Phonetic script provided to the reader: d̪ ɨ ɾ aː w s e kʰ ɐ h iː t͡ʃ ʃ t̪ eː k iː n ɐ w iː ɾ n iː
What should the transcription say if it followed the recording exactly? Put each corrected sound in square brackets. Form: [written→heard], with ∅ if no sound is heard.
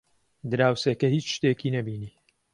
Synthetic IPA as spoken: d̪ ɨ ɾ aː w s e [kʰ→k] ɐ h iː t͡ʃ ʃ t̪ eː k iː n ɐ [w→b] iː [ɾ→∅] n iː

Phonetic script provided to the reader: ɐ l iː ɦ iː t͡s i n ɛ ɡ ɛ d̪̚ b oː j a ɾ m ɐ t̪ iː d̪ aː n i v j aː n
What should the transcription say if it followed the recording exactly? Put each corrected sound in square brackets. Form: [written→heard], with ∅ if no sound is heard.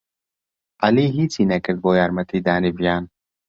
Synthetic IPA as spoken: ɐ l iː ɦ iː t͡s i n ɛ [ɡ→k] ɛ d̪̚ b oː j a ɾ m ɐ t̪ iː d̪ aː n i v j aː n

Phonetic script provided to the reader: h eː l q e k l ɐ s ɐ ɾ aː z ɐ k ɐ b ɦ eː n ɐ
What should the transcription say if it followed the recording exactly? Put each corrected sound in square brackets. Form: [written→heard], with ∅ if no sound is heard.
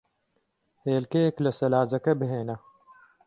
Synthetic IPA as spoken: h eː l [q→k] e k l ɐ s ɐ [ɾ→l] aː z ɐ k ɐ b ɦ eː n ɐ

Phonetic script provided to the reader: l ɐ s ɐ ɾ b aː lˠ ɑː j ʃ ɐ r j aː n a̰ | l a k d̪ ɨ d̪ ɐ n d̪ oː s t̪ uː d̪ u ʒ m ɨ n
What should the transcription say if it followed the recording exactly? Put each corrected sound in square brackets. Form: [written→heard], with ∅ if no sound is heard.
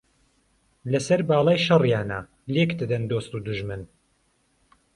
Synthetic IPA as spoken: l ɐ s ɐ ɾ b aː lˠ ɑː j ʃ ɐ r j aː n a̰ | l [a→e] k d̪ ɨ d̪ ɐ n d̪ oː s t̪ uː d̪ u ʒ m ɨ n

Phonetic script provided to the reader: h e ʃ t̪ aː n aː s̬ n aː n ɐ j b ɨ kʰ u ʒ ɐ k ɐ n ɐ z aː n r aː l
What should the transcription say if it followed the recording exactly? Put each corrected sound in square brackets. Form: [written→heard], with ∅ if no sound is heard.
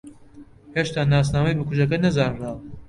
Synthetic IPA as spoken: h e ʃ t̪ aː n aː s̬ n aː [n→m] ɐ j b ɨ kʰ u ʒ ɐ k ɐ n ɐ z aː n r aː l

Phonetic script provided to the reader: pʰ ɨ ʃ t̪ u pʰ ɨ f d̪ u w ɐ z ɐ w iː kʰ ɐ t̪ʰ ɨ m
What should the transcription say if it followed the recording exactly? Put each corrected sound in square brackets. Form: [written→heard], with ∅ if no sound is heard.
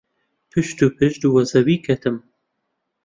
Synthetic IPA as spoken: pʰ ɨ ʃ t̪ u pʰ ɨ [f→ʃ] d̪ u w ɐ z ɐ w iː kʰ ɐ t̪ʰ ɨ m

